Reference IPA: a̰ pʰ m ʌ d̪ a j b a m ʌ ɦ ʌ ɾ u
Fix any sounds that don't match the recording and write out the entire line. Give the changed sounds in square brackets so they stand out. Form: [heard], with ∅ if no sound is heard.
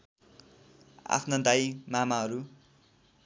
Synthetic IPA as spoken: a̰ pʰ [n] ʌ d̪ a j [m] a m [a] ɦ ʌ ɾ u